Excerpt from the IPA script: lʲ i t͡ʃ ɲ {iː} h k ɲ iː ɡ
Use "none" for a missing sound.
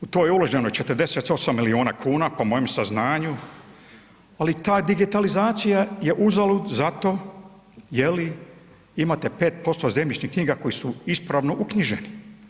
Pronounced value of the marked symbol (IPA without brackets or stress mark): i